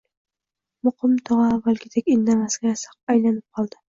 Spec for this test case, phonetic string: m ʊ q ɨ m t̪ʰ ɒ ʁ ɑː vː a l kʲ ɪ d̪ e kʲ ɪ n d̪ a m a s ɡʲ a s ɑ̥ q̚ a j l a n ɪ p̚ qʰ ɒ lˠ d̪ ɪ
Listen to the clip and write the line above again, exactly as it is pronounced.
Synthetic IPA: m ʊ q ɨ m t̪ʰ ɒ ʁ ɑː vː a l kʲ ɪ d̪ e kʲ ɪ n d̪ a m a s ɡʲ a s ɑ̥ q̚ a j l a n ɪ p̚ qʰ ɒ lˠ d̪ ɪ